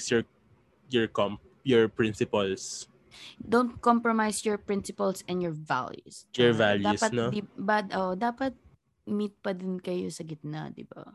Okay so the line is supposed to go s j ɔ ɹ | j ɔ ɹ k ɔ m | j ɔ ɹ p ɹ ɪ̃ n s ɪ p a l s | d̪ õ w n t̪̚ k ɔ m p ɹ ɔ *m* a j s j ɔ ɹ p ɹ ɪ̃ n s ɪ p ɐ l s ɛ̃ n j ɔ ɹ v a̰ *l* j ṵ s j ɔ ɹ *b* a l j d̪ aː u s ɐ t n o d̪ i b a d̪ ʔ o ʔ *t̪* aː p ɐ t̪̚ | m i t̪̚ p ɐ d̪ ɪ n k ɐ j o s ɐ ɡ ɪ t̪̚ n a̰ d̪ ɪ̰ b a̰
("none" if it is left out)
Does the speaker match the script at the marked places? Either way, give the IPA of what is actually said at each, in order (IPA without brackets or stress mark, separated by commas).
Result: m, l, v, d̪